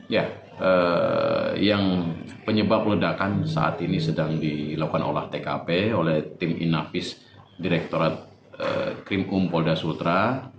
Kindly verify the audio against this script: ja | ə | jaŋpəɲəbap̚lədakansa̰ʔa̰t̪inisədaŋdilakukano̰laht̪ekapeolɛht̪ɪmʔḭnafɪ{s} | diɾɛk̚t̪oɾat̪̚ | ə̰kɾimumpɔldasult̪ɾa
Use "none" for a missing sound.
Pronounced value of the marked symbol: s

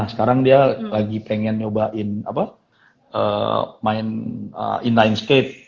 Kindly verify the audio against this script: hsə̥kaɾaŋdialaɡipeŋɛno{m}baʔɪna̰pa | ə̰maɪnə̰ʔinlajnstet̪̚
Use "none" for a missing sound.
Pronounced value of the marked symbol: none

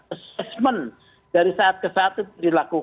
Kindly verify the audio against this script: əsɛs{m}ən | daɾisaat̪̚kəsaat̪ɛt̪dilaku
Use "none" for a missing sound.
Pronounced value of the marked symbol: m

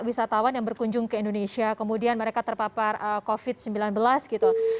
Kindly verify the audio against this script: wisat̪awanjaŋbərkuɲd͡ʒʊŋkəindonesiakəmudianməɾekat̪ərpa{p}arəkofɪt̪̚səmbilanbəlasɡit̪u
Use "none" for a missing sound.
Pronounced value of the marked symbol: p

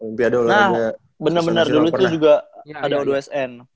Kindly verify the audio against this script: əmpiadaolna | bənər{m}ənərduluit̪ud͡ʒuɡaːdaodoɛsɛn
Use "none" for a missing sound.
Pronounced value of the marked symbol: b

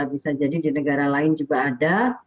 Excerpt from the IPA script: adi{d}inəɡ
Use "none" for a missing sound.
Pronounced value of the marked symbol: d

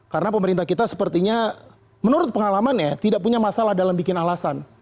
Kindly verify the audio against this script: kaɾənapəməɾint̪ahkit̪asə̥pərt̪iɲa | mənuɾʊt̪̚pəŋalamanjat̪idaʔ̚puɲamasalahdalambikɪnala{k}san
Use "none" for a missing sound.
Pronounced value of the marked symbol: none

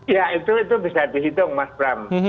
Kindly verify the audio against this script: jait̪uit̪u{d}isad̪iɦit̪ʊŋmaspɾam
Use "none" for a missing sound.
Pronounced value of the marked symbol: b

